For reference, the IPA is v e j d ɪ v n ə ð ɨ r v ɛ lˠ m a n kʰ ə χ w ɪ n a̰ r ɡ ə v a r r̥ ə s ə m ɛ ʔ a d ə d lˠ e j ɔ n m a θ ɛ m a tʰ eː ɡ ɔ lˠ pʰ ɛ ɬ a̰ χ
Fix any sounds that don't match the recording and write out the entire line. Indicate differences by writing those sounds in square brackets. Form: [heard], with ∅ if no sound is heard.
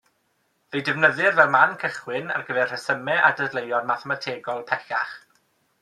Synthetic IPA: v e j d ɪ v n ə ð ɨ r v ɛ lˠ m a n kʰ ə χ w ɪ n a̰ r ɡ ə v [ɛ] r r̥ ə s ə m ɛ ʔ a d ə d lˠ e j ɔ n m a θ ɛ m a tʰ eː ɡ ɔ lˠ pʰ ɛ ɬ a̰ χ